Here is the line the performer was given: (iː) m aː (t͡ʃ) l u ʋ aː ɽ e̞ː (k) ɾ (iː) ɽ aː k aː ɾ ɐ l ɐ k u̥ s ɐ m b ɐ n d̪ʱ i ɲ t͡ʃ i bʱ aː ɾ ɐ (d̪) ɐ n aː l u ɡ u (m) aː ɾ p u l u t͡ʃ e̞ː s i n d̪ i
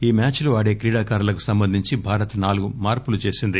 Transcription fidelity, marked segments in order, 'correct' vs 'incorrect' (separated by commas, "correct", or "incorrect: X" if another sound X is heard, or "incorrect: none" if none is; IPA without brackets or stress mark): correct, correct, correct, correct, incorrect: t̪, correct